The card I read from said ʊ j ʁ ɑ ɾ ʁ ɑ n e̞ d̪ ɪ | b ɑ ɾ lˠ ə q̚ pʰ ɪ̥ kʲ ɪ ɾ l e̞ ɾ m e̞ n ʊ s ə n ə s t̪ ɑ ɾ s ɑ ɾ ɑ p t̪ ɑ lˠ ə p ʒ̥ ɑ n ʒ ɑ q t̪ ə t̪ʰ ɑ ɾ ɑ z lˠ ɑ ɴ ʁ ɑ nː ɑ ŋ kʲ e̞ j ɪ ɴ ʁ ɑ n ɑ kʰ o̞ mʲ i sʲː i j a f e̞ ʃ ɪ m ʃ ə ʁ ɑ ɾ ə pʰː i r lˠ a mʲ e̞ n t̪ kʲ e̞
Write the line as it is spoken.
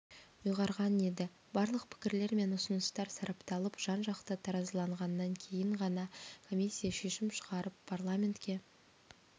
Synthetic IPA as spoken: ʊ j ʁ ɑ ɾ ʁ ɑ n e̞ d̪ ɪ | b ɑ ɾ lˠ ə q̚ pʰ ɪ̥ kʲ ɪ ɾ l e̞ ɾ m e̞ n ʊ s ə n ə s t̪ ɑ ɾ s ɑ ɾ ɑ p t̪ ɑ lˠ ə p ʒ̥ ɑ n ʒ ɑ q t̪ ə t̪ʰ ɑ ɾ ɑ z lˠ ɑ ɴ ʁ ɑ nː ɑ ŋ kʲʰ e̞ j ɪ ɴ ʁ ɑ n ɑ kʰ o̞ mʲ i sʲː i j a ʃ e̞ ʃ ɪ m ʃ ə ʁ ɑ ɾ ə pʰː a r lˠ a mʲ e̞ n t̪ kʲ e̞